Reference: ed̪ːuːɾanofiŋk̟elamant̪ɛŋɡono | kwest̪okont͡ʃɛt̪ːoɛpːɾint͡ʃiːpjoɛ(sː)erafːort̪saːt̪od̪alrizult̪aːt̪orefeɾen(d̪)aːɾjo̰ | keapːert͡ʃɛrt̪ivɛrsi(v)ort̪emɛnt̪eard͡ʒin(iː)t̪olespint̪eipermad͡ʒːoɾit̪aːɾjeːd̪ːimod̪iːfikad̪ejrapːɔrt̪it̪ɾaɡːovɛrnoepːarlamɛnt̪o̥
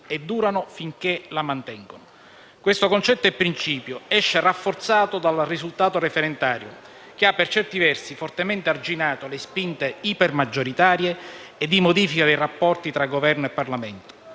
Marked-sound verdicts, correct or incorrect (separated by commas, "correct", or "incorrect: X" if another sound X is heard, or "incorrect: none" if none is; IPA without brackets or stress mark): incorrect: ʃː, incorrect: t̪, incorrect: f, incorrect: aː